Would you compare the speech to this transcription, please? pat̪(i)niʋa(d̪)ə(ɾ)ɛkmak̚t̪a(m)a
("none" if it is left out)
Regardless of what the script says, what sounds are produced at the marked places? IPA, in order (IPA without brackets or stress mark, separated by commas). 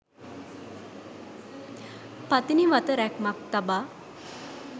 i, t̪, ɾ, b